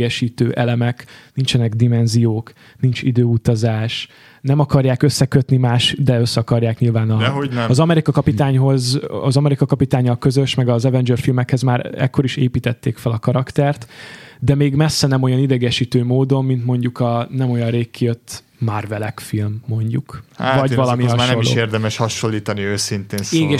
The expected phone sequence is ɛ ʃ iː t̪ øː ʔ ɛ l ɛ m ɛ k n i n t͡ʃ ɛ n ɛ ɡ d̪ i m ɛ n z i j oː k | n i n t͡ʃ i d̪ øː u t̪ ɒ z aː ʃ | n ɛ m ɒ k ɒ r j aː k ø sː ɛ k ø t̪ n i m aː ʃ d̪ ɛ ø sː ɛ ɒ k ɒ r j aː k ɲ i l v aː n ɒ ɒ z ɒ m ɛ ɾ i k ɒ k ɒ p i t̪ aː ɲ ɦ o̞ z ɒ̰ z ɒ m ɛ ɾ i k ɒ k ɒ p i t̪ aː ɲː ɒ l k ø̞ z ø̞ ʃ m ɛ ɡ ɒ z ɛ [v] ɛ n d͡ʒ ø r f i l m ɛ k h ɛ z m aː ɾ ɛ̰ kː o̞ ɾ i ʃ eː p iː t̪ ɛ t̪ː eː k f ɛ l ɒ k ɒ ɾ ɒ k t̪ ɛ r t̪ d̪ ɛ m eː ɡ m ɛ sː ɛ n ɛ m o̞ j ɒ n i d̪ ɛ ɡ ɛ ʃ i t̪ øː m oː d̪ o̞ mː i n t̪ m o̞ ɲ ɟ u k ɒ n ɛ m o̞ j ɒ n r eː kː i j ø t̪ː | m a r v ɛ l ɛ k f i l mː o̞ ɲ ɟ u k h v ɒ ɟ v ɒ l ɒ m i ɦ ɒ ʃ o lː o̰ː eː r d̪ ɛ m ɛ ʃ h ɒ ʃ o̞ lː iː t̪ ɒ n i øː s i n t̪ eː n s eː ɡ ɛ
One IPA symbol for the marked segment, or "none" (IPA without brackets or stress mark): v